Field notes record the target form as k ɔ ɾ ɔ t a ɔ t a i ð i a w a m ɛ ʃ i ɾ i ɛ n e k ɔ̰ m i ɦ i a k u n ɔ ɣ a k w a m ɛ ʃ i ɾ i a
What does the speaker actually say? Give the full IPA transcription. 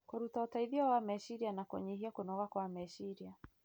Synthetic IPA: k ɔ ɾ u t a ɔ t a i ð i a w a m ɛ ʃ i ɾ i a n a k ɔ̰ ɲ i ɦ i a k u n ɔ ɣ a k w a m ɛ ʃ i ɾ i a